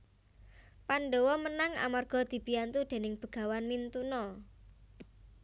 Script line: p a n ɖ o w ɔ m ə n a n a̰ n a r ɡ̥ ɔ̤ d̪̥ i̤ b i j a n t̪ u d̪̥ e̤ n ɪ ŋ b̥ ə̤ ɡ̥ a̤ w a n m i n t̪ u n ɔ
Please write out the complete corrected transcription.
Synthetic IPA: p a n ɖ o w ɔ m ə n a ŋ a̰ m a r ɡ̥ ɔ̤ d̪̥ i̤ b i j a n t̪ u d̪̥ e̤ n ɪ ŋ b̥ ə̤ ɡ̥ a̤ w a n m i n t̪ u n ɔ